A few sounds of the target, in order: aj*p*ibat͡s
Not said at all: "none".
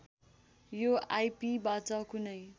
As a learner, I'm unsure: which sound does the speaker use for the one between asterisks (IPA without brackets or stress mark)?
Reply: p